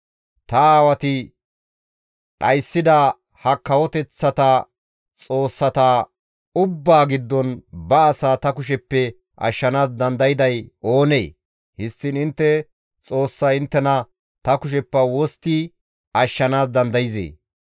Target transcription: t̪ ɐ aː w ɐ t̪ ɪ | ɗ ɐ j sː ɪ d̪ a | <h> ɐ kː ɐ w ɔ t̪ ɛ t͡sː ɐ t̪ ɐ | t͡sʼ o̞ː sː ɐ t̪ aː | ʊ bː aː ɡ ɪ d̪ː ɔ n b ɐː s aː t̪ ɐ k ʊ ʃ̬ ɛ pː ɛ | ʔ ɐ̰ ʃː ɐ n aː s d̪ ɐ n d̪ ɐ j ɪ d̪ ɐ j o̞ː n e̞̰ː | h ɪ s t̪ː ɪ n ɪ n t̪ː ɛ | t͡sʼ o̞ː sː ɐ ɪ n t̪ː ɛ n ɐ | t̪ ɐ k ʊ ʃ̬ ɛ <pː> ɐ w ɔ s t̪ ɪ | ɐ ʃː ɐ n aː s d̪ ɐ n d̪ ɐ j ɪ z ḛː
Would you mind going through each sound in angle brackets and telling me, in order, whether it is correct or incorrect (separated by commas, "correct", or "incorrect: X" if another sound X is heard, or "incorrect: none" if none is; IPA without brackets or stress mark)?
correct, correct